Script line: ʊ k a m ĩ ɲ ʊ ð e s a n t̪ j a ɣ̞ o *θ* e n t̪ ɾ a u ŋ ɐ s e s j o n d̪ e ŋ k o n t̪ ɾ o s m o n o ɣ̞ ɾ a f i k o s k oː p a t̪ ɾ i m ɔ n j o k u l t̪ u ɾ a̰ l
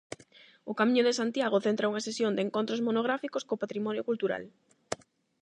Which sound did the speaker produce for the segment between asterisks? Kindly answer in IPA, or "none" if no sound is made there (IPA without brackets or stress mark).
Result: θ